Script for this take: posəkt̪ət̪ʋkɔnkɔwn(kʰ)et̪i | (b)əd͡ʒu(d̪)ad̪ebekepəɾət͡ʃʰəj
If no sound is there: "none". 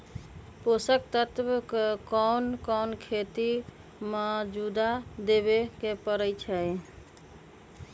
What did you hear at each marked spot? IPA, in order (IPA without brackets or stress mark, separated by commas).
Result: kʰ, m, d̪